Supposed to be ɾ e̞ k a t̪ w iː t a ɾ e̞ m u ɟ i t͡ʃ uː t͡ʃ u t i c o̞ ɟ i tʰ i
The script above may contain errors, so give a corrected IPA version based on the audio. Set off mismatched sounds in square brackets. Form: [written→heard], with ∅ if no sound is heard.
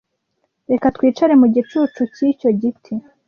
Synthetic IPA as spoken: ɾ e̞ k a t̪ w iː [t→t͡ʃ] a ɾ e̞ m u ɟ i t͡ʃ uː t͡ʃ u [t→c] i c o̞ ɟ i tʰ i